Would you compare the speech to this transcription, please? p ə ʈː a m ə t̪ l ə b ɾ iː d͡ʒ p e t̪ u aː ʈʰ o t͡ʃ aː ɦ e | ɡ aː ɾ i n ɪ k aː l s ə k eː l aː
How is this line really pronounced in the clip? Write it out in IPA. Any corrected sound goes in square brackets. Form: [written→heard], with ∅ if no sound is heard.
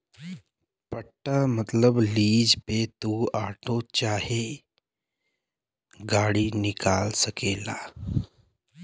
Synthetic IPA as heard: p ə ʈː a m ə t̪ l ə b [ɾ→l] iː d͡ʒ p e t̪ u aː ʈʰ o t͡ʃ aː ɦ e | ɡ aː [ɾ→ɽ] i n ɪ k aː l s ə k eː l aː